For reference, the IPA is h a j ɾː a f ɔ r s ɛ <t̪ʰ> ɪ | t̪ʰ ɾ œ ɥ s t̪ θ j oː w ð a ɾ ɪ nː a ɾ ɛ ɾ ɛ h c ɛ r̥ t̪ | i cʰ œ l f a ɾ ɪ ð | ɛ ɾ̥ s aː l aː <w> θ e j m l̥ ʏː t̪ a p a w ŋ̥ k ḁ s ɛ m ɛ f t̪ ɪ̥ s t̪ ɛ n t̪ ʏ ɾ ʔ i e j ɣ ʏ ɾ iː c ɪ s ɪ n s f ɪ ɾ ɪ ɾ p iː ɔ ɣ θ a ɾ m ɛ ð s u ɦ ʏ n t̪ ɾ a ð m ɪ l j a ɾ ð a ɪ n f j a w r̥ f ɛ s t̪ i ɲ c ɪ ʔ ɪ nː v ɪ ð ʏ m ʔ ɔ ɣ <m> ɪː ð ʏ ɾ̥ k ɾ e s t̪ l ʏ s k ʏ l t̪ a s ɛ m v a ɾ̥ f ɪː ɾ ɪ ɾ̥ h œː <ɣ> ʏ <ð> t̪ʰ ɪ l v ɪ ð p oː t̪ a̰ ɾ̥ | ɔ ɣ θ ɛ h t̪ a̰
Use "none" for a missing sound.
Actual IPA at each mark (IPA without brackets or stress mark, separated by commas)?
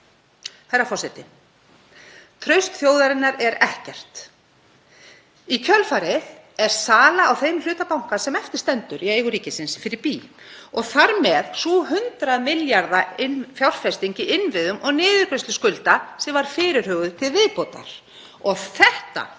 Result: t̪, w, n, ɣ, ð